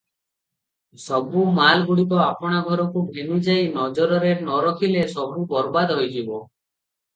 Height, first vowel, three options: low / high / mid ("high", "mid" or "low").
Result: mid